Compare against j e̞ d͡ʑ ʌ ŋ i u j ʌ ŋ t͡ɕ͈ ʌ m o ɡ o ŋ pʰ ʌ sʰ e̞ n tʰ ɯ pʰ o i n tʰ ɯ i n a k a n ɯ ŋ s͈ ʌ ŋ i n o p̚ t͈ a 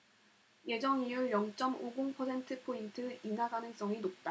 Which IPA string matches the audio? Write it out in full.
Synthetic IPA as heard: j e̞ d͡ʑ ʌ ŋ i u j ʌ ŋ t͡ɕ͈ ʌ m o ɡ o ŋ pʰ ʌ sʰ e̞ n tʰ ɯ pʰ o i n tʰ ɯ i n a ɡ a n ɯ ŋ s͈ ʌ ŋ i n o p̚ t͈ a